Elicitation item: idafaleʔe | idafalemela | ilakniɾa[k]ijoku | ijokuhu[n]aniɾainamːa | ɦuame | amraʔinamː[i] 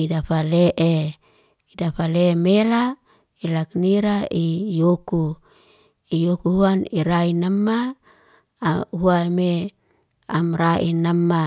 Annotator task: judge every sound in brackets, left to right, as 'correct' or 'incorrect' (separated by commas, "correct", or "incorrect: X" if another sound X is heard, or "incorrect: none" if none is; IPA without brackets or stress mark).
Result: incorrect: none, incorrect: none, incorrect: a